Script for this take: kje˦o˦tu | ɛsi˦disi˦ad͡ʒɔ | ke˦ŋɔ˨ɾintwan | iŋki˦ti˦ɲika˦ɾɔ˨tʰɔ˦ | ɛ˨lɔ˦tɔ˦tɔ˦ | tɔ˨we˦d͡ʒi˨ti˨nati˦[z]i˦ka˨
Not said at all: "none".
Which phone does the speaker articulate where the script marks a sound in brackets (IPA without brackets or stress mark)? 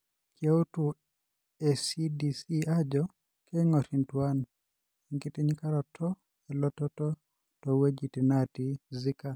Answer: z